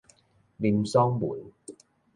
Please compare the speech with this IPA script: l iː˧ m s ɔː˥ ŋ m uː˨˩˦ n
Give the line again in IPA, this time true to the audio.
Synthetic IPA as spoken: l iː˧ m s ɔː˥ ŋ m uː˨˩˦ n